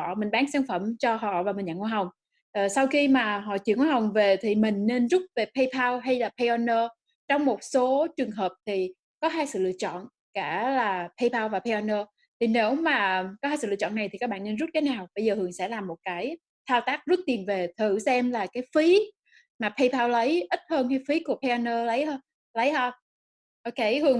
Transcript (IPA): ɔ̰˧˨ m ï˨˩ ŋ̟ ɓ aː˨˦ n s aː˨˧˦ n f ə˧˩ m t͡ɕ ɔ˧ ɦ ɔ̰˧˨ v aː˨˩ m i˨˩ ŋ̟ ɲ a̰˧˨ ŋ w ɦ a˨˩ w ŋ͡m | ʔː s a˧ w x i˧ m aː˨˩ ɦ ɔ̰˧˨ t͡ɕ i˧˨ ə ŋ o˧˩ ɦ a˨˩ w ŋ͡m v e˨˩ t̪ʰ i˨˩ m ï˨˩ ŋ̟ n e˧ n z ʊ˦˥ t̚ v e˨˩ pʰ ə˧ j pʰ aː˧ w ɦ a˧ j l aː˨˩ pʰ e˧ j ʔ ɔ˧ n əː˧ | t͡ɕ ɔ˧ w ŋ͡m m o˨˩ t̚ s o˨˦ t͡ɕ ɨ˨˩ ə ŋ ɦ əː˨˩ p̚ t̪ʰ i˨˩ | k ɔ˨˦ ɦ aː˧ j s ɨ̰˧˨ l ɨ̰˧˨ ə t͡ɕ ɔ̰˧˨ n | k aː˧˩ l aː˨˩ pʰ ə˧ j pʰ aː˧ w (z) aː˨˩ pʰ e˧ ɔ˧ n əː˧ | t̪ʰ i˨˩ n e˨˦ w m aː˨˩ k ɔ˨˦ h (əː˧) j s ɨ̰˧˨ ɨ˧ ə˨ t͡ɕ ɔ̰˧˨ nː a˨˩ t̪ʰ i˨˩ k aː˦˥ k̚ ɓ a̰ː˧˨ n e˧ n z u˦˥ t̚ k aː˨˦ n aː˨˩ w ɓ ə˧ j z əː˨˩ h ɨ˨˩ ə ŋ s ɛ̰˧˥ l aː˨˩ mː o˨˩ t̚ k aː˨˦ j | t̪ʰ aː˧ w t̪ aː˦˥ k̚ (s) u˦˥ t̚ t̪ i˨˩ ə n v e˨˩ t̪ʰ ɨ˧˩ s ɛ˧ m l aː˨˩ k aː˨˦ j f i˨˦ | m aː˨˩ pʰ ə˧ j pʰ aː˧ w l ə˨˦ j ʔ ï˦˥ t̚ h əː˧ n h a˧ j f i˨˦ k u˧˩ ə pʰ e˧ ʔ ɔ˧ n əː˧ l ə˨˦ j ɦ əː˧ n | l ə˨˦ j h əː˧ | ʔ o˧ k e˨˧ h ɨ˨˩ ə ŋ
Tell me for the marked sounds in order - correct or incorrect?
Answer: incorrect, incorrect, incorrect

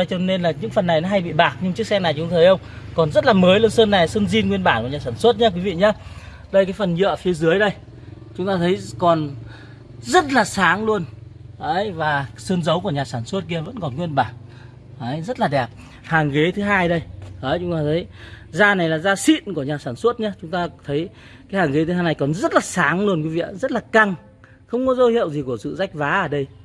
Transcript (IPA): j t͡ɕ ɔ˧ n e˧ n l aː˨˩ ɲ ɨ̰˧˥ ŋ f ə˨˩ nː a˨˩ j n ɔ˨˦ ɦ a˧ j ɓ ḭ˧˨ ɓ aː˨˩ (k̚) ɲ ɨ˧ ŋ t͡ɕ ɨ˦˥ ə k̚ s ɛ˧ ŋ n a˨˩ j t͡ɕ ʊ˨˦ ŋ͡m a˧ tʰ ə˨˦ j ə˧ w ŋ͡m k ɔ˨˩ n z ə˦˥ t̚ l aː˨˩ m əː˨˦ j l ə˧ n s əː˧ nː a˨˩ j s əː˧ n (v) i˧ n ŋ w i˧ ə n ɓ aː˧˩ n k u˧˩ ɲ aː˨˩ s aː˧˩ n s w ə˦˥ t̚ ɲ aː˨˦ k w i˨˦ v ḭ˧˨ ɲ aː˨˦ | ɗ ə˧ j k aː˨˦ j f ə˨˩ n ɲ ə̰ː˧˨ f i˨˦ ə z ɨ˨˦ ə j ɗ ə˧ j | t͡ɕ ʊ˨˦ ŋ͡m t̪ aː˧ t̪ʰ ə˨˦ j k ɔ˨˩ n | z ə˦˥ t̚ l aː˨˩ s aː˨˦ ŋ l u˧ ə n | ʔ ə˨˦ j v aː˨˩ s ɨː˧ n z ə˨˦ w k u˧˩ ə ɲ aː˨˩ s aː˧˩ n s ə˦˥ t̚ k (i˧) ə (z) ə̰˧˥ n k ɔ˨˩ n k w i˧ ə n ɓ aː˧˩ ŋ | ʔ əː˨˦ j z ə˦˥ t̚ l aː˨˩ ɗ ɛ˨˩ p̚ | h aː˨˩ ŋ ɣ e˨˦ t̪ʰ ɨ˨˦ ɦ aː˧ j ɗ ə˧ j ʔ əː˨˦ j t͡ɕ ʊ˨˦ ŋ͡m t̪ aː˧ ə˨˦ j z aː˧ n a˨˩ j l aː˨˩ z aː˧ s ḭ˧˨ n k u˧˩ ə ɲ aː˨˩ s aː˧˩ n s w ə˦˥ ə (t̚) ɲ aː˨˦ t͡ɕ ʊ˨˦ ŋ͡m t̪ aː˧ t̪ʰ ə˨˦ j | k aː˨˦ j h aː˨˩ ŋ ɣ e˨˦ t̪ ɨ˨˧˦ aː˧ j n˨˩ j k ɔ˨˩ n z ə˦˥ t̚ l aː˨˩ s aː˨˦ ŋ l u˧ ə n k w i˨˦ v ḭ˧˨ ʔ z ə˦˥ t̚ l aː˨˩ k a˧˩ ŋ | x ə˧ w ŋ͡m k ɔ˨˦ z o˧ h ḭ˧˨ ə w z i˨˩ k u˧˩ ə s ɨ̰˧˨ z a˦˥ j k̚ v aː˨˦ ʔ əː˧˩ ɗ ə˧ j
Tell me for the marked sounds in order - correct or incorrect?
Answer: correct, incorrect, correct, incorrect, correct

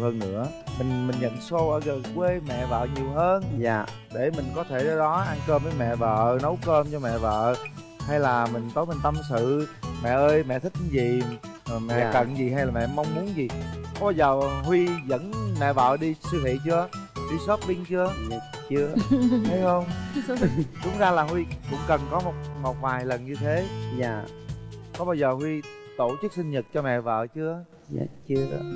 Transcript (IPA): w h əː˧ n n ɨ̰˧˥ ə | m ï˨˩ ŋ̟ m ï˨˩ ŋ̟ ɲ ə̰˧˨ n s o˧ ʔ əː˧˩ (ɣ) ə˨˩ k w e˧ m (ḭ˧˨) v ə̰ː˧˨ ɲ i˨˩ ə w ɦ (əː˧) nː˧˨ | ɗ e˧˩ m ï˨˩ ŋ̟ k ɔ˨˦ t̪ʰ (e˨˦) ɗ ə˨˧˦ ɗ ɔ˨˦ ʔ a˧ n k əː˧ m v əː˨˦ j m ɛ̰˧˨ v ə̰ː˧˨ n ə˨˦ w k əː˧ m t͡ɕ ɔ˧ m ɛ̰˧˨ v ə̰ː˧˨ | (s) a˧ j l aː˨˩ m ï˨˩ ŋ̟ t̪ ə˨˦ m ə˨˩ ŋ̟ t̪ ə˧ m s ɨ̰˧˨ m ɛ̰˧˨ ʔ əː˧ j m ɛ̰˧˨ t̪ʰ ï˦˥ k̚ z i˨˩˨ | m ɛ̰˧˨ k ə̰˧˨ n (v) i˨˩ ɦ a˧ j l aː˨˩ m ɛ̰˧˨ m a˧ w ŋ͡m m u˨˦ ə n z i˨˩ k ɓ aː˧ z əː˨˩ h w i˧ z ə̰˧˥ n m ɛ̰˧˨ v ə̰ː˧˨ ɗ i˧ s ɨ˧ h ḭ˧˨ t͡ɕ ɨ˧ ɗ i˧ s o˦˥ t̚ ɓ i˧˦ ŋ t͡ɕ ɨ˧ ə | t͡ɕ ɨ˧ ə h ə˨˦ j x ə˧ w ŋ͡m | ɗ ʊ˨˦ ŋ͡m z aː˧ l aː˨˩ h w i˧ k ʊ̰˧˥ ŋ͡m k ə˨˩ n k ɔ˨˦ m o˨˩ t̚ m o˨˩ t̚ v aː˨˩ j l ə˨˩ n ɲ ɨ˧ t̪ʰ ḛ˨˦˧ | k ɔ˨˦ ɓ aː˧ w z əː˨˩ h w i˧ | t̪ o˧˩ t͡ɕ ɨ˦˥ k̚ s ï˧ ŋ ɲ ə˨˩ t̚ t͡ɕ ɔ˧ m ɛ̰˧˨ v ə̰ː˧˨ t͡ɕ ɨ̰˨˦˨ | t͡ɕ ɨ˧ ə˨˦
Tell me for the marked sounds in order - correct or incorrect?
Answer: correct, incorrect, correct, incorrect, incorrect, incorrect

